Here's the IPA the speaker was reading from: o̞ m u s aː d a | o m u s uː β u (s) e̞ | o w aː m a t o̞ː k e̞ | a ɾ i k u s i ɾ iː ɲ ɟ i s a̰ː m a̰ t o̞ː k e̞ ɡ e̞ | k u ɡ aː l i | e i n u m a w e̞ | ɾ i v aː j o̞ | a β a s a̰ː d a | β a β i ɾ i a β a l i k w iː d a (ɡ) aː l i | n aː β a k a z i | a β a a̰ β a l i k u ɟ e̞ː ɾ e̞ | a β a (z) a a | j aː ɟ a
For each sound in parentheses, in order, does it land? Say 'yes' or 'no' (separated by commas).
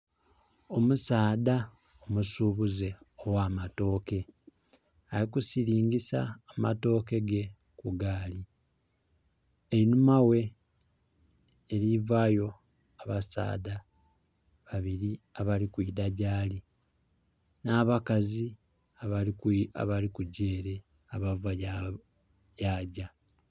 no, no, no